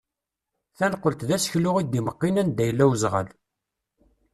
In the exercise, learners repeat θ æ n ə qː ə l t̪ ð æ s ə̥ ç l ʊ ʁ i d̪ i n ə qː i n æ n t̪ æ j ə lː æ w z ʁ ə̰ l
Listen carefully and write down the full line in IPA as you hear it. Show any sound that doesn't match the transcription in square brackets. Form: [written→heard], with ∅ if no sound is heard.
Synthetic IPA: θ æ n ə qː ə l t̪ ð æ s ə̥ ç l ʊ ʁ i d̪ i [n→m] ə qː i n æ n [t̪→d̪] æ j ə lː æ w z ʁ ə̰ l